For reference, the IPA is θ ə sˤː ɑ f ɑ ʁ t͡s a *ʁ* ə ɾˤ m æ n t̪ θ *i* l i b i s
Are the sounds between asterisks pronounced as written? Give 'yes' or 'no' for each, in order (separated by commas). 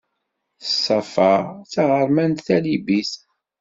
yes, no